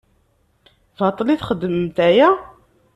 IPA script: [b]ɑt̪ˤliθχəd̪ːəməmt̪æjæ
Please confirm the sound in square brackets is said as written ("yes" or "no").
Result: no